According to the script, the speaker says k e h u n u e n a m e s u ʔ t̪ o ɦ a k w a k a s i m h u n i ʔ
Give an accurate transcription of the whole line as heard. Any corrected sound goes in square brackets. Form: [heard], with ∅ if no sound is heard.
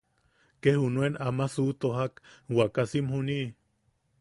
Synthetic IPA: k e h u n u e n a m [a] s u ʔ t̪ o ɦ a k w a k a s i m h u n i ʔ